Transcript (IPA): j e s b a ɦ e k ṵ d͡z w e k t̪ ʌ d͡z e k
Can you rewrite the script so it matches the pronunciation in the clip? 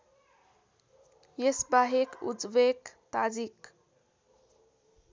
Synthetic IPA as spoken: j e s b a ɦ e k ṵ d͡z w e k t̪ a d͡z i k